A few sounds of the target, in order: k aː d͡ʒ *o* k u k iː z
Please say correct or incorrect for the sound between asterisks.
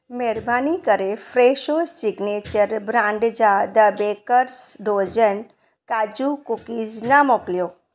incorrect